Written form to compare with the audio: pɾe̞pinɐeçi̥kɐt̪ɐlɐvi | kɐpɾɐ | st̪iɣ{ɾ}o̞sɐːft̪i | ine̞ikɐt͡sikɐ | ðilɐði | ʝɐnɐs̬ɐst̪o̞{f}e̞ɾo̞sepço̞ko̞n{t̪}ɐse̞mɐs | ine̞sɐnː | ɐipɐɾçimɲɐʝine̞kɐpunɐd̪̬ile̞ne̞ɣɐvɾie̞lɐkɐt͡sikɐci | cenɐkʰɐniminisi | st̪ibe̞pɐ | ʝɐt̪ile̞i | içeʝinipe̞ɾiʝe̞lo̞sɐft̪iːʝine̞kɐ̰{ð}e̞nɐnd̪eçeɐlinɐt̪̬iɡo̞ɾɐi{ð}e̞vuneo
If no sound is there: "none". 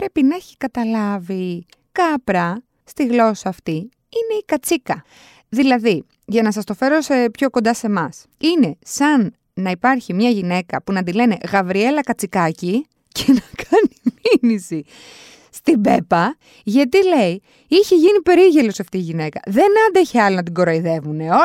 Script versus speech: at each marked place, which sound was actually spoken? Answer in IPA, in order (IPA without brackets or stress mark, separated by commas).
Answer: l, f, d̪, ð, ð